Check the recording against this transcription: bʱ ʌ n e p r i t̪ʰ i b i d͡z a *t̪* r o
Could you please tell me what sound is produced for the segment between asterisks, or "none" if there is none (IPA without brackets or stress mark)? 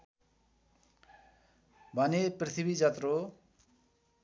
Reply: t̪